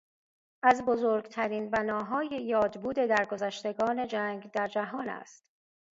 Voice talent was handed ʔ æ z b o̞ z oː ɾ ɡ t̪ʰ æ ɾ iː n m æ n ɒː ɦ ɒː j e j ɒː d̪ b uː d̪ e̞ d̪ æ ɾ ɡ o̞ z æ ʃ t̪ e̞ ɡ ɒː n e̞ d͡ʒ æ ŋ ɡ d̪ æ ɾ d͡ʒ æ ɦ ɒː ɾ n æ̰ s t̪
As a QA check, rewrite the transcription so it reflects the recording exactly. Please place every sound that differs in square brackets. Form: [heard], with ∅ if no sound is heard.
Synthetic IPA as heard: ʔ æ z b o̞ z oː ɾ ɡ t̪ʰ æ ɾ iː n [b] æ n ɒː ɦ ɒː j e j ɒː d̪ b uː d̪ e̞ d̪ æ ɾ ɡ o̞ z æ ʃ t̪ e̞ ɡ ɒː n e̞ d͡ʒ æ ŋ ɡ d̪ æ ɾ d͡ʒ æ ɦ ɒː [∅] n æ̰ s t̪